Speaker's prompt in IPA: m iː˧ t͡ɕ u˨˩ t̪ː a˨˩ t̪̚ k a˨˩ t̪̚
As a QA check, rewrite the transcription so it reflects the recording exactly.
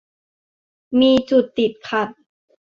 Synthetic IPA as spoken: m iː˧ t͡ɕ u˨˩ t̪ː i˨˩ t̪̚ kʰ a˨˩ t̪̚